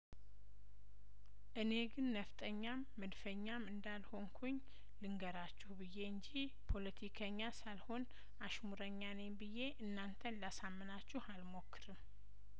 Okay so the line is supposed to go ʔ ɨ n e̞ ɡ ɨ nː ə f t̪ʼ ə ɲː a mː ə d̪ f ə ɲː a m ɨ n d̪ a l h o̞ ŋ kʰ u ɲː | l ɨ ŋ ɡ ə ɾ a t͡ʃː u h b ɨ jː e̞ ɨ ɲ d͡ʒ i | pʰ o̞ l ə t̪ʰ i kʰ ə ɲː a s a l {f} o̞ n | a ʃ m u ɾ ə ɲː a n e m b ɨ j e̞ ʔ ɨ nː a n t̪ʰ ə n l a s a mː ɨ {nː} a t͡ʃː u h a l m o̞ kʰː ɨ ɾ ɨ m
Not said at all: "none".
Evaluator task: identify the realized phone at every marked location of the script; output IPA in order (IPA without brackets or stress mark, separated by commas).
h, n